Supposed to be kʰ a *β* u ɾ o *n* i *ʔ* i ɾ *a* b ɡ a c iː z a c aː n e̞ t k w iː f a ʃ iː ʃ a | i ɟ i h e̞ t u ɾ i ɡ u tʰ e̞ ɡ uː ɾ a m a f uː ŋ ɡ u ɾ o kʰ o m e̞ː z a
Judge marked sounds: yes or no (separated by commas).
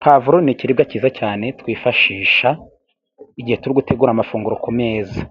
no, yes, no, no